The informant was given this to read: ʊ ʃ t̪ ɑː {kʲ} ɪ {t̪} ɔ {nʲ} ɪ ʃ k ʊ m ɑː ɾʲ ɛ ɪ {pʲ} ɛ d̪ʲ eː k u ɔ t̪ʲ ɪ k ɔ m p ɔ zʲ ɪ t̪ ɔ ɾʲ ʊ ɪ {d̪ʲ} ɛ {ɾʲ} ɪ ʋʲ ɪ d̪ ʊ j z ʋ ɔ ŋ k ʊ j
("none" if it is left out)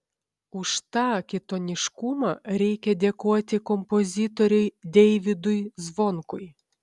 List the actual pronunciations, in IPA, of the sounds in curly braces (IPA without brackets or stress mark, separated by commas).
kʲ, t̪, nʲ, kʲ, d̪ʲ, none